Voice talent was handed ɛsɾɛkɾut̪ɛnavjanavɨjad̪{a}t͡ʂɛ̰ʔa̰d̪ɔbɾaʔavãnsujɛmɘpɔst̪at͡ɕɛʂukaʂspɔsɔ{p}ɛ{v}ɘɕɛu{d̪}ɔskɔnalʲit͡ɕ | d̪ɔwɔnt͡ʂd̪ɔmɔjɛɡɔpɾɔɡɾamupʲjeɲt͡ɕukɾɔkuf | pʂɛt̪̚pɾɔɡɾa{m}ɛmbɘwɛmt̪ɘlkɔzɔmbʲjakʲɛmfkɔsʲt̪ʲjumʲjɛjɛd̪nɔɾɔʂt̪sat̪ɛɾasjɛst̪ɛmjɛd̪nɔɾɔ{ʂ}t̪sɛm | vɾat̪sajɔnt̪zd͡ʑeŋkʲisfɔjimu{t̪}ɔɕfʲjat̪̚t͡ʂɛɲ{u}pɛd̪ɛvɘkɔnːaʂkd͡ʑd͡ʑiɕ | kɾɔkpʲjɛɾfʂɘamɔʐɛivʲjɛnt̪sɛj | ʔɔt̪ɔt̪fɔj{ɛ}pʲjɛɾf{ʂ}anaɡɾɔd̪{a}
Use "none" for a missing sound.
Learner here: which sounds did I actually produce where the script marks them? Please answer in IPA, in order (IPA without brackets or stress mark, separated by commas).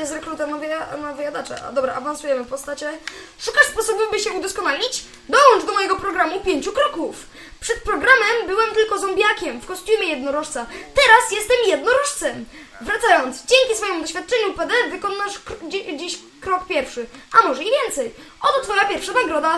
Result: a, b, b, d̪, m, ʂ, d̪, u, a, ʂ, a